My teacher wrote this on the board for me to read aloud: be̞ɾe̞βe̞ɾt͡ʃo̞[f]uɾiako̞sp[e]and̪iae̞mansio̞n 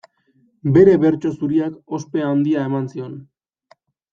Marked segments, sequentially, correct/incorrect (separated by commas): incorrect, correct